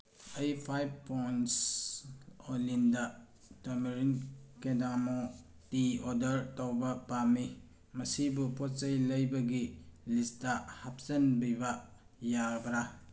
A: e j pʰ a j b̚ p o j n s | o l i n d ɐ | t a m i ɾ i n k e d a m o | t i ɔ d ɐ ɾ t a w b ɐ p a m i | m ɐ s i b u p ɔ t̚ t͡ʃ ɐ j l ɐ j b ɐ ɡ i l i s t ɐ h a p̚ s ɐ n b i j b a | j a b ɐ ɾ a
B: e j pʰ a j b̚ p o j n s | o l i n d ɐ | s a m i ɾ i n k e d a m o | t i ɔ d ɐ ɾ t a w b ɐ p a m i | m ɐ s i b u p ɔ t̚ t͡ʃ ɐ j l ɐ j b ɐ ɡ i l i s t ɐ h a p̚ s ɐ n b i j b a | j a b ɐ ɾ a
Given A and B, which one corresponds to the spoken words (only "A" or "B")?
A